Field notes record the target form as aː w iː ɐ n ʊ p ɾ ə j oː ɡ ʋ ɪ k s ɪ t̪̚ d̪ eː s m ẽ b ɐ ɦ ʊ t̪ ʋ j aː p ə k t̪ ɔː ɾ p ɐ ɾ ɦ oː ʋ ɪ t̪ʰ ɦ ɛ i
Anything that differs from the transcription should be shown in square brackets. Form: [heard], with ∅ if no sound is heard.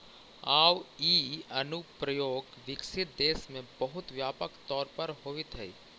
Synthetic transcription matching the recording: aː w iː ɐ n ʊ p ɾ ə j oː ɡ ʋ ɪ k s ɪ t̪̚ d̪ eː s m ẽ b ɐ ɦ ʊ t̪ ʋ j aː p ə k t̪ ɔː ɾ p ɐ ɾ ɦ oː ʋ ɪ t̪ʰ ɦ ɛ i